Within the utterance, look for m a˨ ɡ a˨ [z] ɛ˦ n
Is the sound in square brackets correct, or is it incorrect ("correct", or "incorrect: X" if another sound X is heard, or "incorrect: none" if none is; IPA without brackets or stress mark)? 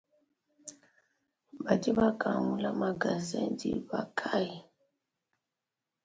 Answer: correct